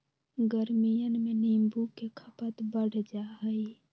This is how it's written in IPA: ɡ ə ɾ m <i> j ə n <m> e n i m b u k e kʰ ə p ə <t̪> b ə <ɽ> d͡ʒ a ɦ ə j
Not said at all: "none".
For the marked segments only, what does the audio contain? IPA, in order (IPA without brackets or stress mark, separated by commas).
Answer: i, m, t̪, ɽ